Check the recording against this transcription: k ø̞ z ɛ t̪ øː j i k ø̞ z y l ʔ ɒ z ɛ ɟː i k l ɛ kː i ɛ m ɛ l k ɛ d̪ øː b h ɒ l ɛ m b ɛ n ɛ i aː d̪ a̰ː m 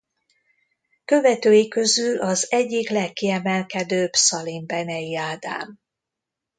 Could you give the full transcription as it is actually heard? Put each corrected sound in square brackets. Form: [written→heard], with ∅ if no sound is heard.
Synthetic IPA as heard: k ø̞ [z→v] ɛ t̪ øː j i k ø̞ z y l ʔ ɒ z ɛ ɟː i k l ɛ kː i ɛ m ɛ l k ɛ d̪ øː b [h→s] ɒ l [ɛ→i] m b ɛ n ɛ i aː d̪ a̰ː m